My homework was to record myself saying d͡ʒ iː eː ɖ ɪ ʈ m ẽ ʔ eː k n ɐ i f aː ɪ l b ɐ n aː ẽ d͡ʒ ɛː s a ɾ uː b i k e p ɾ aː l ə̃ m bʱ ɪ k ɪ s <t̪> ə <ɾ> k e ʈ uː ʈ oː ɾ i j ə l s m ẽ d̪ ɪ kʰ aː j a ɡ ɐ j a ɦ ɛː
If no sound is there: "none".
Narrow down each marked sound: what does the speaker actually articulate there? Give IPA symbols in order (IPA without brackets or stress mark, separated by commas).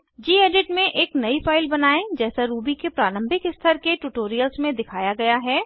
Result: t̪ʰ, ɾ